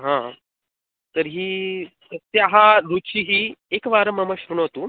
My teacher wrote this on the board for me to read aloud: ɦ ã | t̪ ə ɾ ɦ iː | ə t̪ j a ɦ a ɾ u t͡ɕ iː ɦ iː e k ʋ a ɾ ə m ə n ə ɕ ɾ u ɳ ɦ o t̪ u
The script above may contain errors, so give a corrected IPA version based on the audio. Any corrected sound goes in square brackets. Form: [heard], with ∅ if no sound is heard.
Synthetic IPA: ɦ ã | t̪ ə ɾ ɦ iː | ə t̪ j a ɦ a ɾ u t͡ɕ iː ɦ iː e k ʋ a ɾ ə m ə [m] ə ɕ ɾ u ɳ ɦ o t̪ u